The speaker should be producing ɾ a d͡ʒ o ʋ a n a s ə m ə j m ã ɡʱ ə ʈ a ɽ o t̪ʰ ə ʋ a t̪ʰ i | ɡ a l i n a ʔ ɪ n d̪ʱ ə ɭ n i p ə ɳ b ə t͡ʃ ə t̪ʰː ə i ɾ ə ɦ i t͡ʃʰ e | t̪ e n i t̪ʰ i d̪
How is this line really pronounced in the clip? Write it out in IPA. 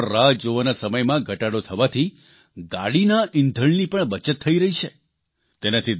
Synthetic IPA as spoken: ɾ a d͡ʒ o ʋ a n a s ə m ə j m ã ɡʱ ə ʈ a ɽ o t̪ʰ ə ʋ a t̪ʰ i | ɡ a ɽ i n a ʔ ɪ n d̪ʱ ə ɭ n i p ə ɳ b ə t͡ʃ ə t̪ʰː ə i ɾ ə ɦ i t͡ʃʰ e | t̪ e n a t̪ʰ i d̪